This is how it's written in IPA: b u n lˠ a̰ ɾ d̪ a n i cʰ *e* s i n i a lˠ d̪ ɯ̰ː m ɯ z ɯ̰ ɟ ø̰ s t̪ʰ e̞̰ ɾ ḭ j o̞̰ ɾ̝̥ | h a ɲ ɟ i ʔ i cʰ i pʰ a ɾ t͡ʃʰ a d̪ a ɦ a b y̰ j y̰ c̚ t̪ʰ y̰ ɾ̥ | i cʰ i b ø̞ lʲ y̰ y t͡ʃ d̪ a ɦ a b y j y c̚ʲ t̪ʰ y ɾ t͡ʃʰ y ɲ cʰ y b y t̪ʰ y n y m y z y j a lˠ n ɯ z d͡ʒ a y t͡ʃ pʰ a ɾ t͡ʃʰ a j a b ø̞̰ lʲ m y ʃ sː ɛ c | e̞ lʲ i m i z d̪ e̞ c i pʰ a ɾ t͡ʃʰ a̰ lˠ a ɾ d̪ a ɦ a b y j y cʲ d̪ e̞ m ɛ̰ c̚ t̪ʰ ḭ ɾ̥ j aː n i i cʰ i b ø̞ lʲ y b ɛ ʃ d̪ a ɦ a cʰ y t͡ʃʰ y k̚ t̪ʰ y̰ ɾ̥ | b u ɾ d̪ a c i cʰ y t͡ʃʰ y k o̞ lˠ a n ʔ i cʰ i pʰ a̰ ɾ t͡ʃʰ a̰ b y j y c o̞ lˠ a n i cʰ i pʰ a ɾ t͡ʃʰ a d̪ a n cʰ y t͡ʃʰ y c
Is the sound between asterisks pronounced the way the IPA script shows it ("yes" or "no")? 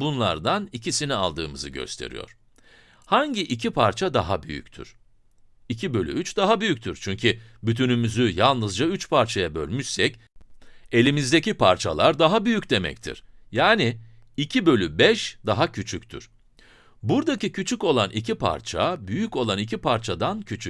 no